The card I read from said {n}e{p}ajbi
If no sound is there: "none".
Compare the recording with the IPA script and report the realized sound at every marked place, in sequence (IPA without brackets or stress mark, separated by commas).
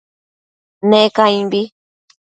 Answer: n, k